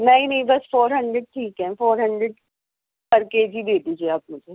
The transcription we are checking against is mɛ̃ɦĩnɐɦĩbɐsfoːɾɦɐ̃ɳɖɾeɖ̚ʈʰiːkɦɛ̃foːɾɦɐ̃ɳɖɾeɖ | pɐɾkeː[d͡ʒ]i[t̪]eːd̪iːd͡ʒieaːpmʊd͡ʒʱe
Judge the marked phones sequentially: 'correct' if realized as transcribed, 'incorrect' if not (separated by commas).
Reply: correct, incorrect